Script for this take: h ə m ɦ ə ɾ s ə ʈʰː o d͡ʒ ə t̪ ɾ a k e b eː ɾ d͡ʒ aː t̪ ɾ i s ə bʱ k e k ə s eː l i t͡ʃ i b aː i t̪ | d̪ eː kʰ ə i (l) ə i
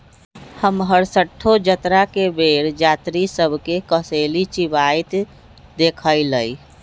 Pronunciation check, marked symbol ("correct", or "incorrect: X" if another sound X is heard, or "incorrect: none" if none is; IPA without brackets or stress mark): correct